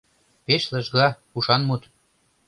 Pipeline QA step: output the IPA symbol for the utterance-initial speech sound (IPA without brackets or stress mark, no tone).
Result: p